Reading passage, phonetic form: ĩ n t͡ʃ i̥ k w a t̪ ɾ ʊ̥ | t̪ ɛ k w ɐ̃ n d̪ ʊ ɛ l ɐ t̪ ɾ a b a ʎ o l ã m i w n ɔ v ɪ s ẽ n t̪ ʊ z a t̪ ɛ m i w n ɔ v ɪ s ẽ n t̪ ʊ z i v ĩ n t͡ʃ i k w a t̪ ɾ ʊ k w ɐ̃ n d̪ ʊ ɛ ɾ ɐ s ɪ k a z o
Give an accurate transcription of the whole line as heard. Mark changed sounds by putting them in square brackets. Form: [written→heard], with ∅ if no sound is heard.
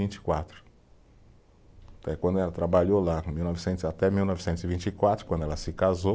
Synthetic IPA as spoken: ĩ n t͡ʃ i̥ k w a t̪ ɾ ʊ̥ | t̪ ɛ k w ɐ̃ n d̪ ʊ ɛ l ɐ t̪ ɾ a b a ʎ o l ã m i w n ɔ v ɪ s ẽ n t̪ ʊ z a t̪ ɛ m i w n ɔ v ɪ s ẽ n t̪ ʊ z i v ĩ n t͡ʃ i k w a t̪ ɾ ʊ k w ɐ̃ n d̪ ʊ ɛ [ɾ→l] ɐ s ɪ k a z o